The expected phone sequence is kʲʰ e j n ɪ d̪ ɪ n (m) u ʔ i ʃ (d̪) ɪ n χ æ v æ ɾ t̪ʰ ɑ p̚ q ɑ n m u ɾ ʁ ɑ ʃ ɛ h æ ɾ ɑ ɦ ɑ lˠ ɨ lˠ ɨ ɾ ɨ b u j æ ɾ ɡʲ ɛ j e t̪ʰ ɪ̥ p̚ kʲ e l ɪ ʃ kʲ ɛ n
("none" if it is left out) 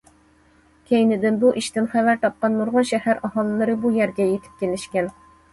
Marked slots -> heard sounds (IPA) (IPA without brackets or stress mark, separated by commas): b, t̪